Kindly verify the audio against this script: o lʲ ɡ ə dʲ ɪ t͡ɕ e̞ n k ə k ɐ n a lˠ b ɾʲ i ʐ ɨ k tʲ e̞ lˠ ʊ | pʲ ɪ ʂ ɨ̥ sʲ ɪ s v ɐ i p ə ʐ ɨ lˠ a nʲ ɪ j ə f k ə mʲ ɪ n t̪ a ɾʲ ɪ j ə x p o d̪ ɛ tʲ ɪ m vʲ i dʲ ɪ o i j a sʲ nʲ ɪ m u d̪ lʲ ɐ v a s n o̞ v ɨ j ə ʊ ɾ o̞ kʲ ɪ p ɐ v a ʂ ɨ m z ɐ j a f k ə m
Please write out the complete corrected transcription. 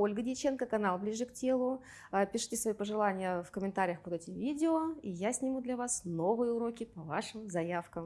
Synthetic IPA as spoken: o lʲ ɡ ə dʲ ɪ t͡ɕ e̞ n k ə k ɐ n a lˠ b lʲ i ʐ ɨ k tʲ e̞ lˠ ʊ | pʲ ɪ ʂ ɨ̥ tʲ ɪ s v ɐ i p ə ʐ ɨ lˠ a nʲ ɪ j ə f k ə mʲ ɪ n t̪ a ɾʲ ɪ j ə x p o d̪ ɛ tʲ ɪ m vʲ i dʲ ɪ o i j a sʲ nʲ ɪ m u d̪ lʲ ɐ v a s n o̞ v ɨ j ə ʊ ɾ o̞ kʲ ɪ p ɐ v a ʂ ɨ m z ɐ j a f k ə m